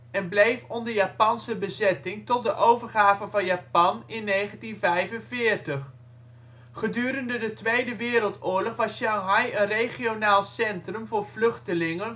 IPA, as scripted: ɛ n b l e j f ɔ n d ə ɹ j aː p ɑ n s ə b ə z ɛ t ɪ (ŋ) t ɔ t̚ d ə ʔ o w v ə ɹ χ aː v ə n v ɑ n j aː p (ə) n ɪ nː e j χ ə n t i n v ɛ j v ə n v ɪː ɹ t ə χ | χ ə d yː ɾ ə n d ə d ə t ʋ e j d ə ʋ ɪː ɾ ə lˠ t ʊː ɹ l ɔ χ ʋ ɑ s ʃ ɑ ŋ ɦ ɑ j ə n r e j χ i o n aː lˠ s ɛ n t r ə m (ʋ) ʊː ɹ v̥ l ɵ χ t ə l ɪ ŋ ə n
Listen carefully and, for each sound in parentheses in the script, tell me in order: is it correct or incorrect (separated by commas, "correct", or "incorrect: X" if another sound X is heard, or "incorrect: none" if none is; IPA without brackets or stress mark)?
correct, incorrect: ɑ, incorrect: v